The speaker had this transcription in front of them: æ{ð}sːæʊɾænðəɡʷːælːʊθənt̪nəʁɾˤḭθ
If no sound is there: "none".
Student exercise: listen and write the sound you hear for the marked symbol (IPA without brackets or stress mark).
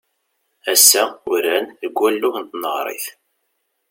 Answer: none